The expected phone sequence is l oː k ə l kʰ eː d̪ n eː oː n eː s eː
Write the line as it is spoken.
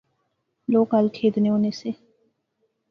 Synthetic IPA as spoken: l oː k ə l kʰ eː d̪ n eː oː n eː s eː